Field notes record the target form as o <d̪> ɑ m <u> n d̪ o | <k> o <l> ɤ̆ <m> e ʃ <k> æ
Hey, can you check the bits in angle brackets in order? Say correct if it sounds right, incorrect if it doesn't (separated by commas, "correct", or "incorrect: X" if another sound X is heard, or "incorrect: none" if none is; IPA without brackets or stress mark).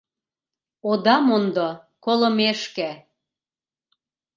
correct, incorrect: o, correct, correct, correct, correct